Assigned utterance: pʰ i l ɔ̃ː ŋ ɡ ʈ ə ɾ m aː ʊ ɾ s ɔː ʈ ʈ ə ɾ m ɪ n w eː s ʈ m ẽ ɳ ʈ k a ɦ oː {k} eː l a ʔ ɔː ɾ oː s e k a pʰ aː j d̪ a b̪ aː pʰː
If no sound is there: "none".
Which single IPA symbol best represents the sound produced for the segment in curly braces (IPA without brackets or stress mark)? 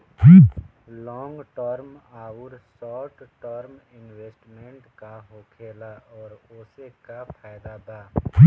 kʰ